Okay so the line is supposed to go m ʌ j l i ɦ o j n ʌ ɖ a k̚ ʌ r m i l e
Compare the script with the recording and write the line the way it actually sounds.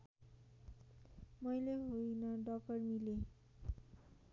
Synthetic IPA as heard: m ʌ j l e ɦ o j n ʌ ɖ ʌ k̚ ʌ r m i l e

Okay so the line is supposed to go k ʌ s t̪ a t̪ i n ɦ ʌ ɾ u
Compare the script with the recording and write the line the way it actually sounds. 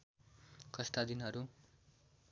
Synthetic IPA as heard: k ʌ s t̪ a d̪ i n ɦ ʌ ɾ u

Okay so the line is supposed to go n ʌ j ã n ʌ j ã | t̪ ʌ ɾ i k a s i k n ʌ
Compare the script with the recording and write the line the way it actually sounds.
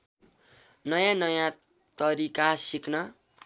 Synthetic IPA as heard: n ʌ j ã n ʌ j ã | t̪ ʌ ɾ i k a s i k n ʌ

